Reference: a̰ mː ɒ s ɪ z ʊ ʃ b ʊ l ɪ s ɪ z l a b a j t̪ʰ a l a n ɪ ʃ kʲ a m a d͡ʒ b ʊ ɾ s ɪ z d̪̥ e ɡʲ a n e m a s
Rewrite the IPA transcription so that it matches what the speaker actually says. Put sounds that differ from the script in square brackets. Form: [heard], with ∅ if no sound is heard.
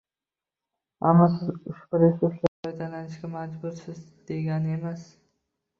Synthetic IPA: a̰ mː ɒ s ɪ z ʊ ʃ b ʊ [ɾ] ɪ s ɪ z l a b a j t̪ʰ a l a n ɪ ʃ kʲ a m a d͡ʒ b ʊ ɾ s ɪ z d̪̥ e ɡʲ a n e m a s